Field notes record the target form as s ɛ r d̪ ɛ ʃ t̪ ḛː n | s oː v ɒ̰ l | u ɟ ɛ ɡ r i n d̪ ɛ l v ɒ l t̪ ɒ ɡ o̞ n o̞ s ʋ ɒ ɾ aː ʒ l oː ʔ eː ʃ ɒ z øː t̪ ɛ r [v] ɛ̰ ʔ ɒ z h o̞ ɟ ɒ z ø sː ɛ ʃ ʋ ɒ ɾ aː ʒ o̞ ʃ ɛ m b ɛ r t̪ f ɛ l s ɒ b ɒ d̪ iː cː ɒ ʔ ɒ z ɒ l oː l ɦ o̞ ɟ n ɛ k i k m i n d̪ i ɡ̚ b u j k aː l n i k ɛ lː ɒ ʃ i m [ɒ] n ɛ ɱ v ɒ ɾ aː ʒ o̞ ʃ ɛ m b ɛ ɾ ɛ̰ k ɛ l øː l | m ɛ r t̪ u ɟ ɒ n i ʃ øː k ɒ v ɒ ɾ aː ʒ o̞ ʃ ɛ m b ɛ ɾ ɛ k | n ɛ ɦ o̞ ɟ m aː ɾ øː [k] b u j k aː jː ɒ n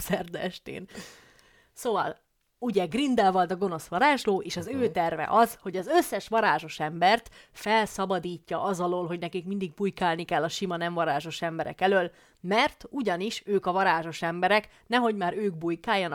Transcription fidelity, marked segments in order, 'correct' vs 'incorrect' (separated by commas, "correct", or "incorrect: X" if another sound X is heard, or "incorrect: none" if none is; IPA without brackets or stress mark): correct, correct, incorrect: ɡ